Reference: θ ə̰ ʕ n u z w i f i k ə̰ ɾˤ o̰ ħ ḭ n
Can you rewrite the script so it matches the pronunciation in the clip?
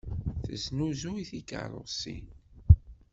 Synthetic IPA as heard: θ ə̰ z n u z u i θ i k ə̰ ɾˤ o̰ s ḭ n